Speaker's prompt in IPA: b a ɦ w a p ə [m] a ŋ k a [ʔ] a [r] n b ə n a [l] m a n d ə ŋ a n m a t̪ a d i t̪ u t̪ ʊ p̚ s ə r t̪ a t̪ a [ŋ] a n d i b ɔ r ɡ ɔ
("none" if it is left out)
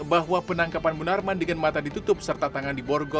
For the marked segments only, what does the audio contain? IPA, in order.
n, p, none, r, ŋ

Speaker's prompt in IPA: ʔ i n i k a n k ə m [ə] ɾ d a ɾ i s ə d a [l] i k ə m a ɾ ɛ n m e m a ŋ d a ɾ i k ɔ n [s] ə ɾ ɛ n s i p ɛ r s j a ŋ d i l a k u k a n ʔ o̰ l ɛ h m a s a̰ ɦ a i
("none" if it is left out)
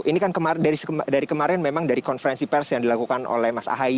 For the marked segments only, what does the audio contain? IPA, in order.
a, ɾ, f

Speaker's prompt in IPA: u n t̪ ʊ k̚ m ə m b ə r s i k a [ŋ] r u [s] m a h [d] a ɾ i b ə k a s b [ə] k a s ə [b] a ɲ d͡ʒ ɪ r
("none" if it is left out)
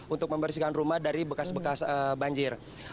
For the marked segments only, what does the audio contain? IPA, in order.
n, none, d, ə, b

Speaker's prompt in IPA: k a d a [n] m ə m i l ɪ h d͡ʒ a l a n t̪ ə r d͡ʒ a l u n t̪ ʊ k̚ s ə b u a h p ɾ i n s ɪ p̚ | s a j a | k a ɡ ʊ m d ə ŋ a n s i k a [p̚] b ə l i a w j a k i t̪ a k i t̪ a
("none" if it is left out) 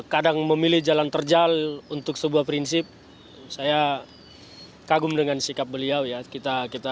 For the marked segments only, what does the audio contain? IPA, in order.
ŋ, p̚

